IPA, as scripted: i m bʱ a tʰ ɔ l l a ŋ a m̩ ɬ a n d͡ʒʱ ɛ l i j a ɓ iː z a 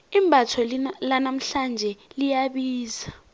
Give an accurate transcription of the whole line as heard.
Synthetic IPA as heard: i m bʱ a tʰ ɔ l l a n a m̩ ɬ a n d͡ʒʱ ɛ l i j a ɓ iː z a

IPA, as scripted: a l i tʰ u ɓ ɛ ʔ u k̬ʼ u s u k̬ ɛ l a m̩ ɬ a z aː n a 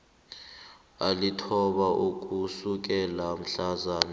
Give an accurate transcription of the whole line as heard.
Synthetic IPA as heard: a l i tʰ ɔ ɓ a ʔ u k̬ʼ u s u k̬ ɛ l a m̩ ɬ a z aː n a

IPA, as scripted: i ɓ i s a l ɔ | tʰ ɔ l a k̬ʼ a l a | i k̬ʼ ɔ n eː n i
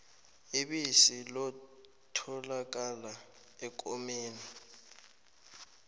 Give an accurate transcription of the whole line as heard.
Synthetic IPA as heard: i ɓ i s i l ɔ | tʰ ɔ l a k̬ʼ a l a | ɛ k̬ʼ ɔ m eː n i

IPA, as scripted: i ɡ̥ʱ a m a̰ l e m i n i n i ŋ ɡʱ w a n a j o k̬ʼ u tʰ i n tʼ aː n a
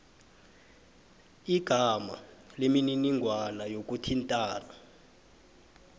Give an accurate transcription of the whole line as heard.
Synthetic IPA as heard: i ɡ̥ʱ a m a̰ l e m i n i n i ŋ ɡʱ w a n a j o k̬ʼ u tʰ i n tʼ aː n a

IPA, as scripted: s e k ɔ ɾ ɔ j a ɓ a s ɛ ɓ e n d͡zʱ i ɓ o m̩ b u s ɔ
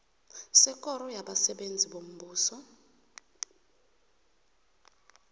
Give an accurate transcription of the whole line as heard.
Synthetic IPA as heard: s ɛ k ɔ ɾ ɔ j a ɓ a s ɛ ɓ e n d͡zʱ i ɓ o m̩ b uː s ɔ

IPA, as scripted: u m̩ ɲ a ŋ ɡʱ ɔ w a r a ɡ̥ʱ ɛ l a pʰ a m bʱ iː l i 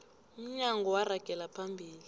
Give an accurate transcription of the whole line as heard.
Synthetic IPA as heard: u m̩ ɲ a ŋ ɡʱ ɔ w a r a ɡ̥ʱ ɛ l a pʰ a m bʱ iː l i

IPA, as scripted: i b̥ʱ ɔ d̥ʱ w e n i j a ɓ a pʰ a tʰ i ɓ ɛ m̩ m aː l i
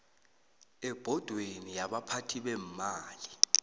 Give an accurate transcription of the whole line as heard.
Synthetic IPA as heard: ɛ b̥ʱ ɔ d̥ʱ w e n i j a ɓ a pʰ a tʰ i ɓ ɛ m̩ m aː l i

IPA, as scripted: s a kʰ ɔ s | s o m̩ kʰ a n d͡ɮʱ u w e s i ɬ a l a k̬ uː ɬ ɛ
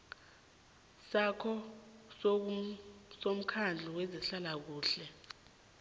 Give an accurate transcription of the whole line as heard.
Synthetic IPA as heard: s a kʰ ɔ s | s o m̩ kʰ a n d͡ɮʱ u w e z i ɬ a l a k̬ uː ɬ ɛ

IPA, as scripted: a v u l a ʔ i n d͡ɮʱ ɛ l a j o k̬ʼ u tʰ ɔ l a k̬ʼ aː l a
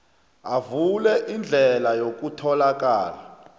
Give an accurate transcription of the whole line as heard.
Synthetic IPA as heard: a v u l ɛ ʔ i n d͡ɮʱ ɛ l a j o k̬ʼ u tʰ ɔ l a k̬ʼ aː l a

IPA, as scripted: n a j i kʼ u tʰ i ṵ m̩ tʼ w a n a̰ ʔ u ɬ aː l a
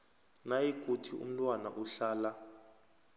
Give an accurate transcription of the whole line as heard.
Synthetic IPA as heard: n a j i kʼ u tʰ i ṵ m̩ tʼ w a n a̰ ʔ u ɬ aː l a

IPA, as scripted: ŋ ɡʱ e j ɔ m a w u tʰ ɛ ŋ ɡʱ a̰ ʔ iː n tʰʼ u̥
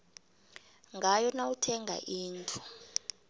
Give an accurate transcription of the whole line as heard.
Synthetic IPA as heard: ŋ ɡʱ a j ɔ n a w u tʰ ɛ ŋ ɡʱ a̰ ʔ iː n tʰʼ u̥

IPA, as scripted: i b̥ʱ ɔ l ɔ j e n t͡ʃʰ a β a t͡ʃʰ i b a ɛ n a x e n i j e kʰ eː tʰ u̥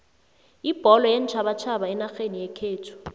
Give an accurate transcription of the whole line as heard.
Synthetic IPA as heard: i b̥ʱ ɔ l ɔ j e n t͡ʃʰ a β a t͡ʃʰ a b a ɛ n a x e n i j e kʰ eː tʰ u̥

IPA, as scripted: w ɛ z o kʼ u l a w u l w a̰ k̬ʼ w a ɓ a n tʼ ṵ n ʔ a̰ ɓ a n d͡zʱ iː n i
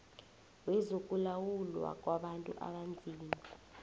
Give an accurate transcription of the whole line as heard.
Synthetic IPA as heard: w ɛ z o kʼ u l a w u l w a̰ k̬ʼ w a ɓ a n tʼ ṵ ʔ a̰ ɓ a n d͡zʱ iː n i

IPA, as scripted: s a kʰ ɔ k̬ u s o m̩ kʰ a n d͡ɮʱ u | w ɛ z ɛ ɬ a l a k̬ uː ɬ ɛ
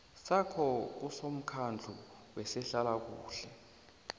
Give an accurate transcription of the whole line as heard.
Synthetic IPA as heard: s a kʰ ɔ k̬ u s o m̩ kʰ a n d͡ɮʱ u | w ɛ s ɛ ɬ a l a k̬ uː ɬ ɛ

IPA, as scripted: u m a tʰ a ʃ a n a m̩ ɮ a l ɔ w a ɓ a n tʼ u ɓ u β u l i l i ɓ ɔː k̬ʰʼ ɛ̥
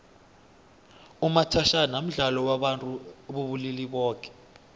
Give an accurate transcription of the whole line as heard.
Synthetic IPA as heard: u m a tʰ a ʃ a n a m̩ ɮ a l ɔ w a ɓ a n tʼ u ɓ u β u l i l i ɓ ɔː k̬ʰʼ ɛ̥

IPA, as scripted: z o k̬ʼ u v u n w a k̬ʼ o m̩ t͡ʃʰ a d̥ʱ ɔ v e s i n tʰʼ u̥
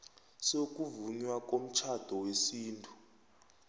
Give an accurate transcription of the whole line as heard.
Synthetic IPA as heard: s o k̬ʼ u v u ɲ w a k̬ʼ o m̩ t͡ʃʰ a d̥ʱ ɔ w e s iː n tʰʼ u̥

